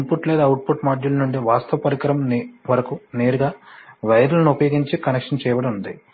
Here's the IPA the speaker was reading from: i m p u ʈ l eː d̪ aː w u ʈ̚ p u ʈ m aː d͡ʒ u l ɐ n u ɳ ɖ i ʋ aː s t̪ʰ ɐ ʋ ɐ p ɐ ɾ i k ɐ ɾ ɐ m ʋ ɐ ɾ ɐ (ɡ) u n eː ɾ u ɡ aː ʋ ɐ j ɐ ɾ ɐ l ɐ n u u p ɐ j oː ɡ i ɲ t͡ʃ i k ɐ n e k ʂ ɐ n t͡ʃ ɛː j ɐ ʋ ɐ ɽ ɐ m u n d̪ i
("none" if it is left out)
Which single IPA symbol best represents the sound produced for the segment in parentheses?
k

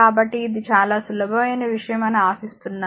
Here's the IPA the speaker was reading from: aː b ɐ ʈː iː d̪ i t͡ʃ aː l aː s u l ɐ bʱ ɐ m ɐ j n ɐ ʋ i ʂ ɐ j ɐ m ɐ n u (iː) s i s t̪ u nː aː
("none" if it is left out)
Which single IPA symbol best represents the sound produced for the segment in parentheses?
aː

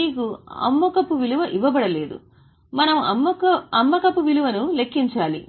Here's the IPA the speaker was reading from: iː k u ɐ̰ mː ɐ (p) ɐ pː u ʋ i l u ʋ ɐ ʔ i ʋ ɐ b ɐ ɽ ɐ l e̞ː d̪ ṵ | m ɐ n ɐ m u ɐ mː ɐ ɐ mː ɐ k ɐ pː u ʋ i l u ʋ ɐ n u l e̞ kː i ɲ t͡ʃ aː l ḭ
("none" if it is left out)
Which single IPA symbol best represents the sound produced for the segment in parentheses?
k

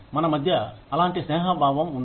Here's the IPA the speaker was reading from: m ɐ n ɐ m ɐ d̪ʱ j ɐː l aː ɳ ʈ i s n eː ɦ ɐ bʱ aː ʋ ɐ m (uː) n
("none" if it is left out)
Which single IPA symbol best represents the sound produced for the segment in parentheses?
u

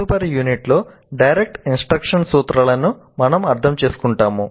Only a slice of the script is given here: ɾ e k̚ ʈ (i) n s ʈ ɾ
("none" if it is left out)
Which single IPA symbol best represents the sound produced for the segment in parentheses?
i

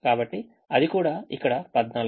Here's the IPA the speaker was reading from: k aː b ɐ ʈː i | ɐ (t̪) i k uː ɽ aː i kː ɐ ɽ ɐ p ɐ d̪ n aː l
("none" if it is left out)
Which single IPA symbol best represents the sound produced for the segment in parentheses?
d̪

